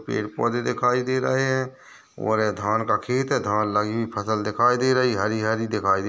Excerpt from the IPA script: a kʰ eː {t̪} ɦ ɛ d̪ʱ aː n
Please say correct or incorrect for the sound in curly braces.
correct